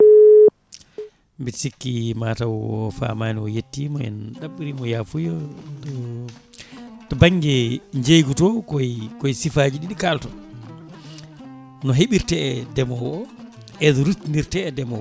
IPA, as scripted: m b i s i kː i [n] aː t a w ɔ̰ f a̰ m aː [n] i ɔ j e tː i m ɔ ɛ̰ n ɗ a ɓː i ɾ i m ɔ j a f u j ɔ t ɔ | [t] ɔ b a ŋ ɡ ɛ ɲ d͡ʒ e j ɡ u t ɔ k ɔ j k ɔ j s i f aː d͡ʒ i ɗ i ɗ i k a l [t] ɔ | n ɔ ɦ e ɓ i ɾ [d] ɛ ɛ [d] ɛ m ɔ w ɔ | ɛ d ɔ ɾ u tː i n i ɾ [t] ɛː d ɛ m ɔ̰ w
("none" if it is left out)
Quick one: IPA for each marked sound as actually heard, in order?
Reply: m, n, t, t, t, d, t

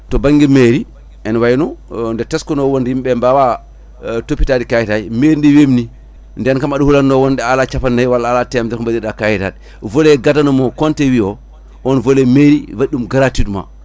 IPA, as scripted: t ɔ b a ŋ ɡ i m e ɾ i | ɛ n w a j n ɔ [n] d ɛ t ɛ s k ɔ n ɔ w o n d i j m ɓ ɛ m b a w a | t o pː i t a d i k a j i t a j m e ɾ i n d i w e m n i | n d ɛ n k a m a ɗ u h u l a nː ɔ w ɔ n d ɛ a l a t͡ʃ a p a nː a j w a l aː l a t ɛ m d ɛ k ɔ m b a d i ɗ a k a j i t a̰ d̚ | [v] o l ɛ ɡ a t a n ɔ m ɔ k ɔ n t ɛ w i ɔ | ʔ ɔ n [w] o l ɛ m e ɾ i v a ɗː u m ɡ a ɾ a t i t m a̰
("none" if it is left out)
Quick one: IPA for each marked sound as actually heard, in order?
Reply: n, v, v

